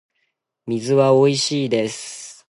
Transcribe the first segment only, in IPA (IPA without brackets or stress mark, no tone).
mʲ